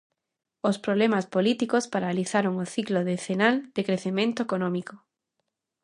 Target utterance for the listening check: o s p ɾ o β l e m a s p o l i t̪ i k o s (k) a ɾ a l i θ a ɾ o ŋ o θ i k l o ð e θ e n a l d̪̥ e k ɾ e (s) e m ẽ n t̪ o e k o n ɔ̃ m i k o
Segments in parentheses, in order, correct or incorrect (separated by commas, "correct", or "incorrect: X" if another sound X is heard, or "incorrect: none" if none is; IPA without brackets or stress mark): incorrect: p, incorrect: θ